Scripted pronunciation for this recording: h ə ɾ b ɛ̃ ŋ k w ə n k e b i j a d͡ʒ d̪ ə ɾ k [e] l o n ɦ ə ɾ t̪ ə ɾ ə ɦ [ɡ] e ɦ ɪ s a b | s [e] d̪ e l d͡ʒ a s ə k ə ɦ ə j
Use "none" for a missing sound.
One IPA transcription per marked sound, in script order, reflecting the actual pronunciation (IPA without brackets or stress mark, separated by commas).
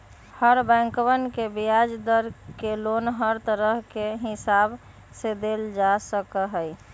e, k, e